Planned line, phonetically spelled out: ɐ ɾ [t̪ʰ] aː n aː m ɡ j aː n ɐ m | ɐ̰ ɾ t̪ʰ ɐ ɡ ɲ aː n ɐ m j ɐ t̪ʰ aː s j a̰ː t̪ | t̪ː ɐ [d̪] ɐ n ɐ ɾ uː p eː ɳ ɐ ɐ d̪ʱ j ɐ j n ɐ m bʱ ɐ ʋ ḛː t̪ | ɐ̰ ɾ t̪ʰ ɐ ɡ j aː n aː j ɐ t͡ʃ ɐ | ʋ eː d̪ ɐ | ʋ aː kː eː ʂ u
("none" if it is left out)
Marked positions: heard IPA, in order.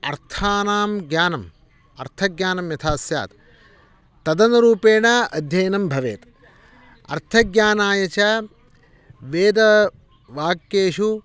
t̪ʰ, d̪

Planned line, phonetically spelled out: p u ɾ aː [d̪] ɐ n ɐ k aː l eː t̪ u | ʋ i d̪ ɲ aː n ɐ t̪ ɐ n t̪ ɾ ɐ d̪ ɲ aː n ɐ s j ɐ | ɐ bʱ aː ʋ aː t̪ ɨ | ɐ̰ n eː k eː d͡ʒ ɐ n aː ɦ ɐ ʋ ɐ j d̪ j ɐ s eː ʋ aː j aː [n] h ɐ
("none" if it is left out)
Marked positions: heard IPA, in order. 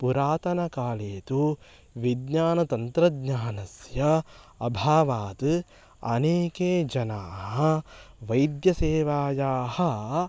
t̪, none

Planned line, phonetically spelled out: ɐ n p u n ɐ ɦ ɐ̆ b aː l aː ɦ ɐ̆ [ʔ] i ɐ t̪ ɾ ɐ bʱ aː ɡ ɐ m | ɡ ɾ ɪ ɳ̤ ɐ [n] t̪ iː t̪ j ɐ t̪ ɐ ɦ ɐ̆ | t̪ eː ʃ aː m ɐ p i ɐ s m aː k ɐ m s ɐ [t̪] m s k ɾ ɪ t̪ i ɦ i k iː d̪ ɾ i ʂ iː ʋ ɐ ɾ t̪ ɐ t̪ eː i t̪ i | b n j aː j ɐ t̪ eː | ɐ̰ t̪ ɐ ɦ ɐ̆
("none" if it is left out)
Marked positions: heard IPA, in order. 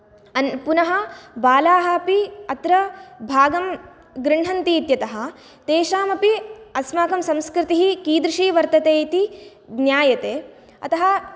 p, n, none

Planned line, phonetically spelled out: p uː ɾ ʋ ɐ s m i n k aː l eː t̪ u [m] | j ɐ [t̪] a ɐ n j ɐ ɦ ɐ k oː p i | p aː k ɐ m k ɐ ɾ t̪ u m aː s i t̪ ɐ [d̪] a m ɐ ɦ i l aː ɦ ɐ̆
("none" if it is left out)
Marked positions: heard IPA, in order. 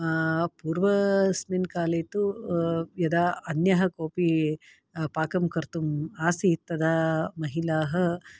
none, d̪, d̪

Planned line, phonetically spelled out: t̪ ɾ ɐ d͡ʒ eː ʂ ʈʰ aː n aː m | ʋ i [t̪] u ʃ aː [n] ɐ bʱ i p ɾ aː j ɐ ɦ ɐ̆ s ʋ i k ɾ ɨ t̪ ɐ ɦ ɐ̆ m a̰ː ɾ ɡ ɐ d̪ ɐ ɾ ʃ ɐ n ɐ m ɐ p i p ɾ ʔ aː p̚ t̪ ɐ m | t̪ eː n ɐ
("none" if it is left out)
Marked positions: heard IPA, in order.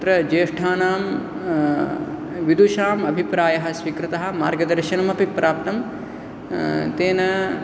d̪, m

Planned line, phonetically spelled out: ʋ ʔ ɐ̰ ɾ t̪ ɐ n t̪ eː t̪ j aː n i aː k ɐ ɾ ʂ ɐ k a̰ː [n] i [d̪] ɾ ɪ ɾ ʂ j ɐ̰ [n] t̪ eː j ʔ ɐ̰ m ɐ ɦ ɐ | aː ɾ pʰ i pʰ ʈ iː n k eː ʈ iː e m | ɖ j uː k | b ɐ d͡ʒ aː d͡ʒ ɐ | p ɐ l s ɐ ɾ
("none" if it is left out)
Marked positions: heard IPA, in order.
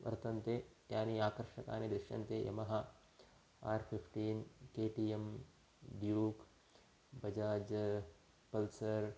n, d̪, n

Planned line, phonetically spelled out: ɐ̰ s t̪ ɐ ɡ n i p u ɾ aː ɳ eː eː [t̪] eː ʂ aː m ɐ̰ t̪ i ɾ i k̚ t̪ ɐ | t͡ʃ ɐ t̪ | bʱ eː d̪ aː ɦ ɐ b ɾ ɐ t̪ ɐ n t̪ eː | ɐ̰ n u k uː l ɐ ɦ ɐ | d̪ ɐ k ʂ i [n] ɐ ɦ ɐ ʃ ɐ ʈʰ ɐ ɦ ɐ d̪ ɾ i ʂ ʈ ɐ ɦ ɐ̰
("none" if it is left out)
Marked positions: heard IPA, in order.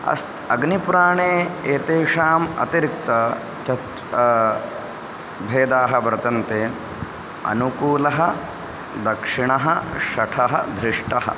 t̪, ɳ

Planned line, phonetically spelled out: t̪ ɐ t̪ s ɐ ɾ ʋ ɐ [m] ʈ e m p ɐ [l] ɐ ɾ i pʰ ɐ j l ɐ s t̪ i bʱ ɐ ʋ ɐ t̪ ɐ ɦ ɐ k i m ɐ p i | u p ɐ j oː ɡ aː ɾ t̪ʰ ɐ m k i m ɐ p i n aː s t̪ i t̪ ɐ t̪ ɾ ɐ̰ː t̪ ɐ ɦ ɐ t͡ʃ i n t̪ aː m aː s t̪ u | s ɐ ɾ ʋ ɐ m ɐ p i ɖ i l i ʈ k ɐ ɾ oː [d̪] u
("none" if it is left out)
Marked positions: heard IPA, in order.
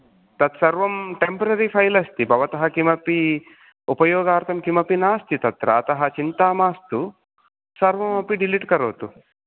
m, ɾ, t̪

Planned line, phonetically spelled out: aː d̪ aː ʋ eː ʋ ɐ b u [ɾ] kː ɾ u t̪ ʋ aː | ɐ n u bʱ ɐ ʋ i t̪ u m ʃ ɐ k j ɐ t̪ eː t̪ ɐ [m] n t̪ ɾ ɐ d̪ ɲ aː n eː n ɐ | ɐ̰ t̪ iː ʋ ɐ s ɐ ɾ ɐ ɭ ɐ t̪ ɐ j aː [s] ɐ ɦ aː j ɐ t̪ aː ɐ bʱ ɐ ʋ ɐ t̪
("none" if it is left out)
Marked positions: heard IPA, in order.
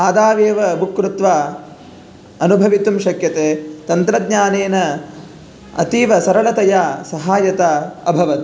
none, none, s

